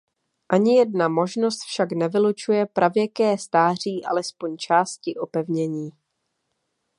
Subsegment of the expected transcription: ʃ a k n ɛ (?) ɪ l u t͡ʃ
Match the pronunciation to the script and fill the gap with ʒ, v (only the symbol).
v